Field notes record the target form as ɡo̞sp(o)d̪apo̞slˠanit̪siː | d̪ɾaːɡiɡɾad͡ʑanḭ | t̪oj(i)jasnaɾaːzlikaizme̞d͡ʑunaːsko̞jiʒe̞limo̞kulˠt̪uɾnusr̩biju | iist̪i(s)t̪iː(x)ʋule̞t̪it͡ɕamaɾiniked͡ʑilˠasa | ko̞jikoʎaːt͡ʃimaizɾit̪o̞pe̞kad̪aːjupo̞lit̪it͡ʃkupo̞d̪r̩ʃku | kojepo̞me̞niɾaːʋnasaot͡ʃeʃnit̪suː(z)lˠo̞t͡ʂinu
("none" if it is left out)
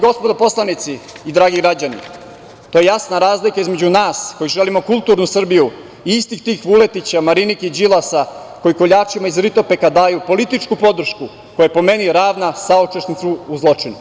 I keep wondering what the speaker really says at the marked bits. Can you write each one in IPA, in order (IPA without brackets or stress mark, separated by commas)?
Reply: o, e, x, x, z